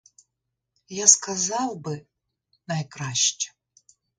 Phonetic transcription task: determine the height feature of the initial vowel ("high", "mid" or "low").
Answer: low